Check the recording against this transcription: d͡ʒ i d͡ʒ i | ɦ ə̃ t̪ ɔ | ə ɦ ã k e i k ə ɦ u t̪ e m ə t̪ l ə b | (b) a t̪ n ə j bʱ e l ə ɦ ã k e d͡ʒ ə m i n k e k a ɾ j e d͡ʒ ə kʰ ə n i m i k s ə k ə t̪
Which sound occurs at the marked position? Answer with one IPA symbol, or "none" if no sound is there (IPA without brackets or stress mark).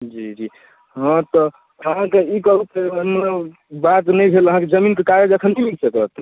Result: b